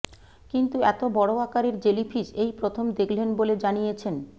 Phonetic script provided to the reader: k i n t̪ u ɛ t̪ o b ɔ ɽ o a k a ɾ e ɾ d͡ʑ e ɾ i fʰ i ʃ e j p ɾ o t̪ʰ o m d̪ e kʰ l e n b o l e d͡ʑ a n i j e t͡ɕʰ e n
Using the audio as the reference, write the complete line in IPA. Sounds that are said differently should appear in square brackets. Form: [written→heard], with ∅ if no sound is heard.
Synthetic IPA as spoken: k i n t̪ u ɛ t̪ o b ɔ ɽ o a k a ɾ e ɾ d͡ʑ e [ɾ→l] i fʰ i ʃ e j p ɾ o t̪ʰ o m d̪ e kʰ l e n b o l e d͡ʑ a n i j e t͡ɕʰ e n